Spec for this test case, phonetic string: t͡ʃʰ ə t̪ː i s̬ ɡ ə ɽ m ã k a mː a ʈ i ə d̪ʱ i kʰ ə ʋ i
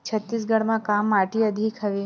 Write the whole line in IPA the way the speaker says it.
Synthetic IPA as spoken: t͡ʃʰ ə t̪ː i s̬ ɡ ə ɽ m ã k a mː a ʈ i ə d̪ʱ i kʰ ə ʋ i